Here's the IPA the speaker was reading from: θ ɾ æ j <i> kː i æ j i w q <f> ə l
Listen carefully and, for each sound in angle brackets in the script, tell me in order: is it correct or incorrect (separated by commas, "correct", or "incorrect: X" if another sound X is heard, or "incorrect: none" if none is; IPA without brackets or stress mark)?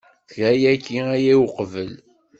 incorrect: æ, incorrect: v